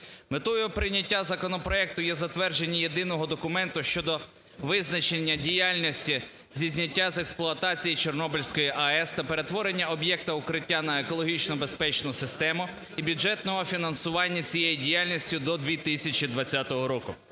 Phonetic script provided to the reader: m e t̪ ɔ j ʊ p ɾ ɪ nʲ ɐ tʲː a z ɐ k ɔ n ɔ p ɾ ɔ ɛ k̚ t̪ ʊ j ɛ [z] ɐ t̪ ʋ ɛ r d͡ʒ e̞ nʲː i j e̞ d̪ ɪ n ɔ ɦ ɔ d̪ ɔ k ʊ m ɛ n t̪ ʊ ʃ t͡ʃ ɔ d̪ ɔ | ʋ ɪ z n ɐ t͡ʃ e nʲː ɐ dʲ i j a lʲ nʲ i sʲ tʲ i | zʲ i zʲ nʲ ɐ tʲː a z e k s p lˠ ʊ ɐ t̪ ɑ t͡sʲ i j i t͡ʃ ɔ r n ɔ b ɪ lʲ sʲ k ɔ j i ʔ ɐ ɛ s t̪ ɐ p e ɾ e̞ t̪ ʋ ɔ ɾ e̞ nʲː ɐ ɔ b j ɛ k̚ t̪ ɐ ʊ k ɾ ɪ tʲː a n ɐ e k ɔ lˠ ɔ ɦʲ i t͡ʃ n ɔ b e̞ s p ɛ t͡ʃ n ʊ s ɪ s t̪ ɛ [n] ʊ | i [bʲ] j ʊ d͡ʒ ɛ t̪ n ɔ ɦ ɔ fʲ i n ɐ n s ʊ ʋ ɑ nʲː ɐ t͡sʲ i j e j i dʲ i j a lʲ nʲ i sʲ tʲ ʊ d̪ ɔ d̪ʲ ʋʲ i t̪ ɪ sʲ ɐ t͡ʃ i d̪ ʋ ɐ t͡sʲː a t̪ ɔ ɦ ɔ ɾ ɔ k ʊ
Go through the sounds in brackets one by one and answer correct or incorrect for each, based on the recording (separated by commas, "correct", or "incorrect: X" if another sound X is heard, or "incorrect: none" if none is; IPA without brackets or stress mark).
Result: correct, incorrect: m, correct